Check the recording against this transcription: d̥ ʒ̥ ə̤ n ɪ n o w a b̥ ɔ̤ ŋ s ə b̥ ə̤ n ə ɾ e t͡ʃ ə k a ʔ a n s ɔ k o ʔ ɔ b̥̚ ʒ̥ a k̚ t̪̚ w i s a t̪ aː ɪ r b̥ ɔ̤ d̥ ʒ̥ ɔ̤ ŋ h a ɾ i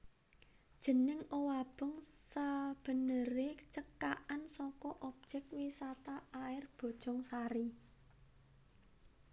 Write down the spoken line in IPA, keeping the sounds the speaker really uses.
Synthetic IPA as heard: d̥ ʒ̥ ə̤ n ɪ ŋ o w a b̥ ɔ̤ ŋ s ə b̥ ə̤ n ə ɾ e t͡ʃ ə k a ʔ a n s ɔ k ɔ ʔ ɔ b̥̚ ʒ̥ ɛ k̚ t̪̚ w i s a t̪ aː ɪ r b̥ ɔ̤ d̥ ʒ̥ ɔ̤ ŋ s a ɾ i